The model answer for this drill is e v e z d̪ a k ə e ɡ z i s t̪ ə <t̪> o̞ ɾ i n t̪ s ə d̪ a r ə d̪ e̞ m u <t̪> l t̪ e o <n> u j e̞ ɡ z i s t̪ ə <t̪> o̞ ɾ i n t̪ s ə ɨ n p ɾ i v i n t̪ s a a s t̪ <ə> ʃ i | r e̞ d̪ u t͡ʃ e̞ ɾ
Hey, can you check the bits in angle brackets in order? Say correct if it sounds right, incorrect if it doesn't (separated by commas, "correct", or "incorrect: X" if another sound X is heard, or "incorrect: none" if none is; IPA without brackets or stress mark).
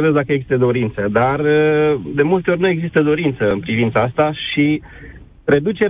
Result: incorrect: d̪, incorrect: none, correct, incorrect: d̪, incorrect: a